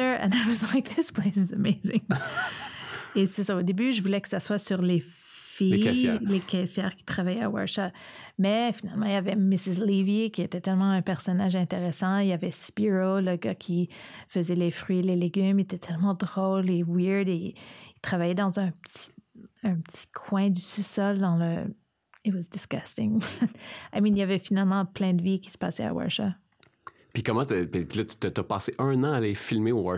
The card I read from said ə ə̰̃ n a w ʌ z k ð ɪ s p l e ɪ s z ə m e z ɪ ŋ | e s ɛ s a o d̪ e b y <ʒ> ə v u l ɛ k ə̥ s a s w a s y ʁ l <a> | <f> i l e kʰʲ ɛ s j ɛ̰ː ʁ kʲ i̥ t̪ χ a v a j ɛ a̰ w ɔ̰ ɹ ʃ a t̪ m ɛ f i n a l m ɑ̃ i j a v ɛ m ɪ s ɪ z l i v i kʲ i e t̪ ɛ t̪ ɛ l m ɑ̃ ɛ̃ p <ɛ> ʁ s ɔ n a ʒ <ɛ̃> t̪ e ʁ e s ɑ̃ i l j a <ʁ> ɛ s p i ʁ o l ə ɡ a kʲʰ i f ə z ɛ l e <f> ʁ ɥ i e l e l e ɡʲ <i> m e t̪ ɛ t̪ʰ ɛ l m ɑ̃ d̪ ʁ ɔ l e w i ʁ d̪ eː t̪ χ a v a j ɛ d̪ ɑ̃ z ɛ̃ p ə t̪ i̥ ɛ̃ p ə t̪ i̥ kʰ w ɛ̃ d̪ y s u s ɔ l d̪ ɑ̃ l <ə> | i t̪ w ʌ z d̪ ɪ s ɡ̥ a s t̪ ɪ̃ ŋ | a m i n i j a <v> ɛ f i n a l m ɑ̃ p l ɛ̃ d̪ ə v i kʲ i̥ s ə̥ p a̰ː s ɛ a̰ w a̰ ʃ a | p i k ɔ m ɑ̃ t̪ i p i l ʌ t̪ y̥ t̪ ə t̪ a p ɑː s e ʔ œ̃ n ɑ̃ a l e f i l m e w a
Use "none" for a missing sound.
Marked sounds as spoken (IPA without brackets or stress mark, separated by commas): ʒ, e, f, ɛ, ɛ̃, v, f, y, ə, v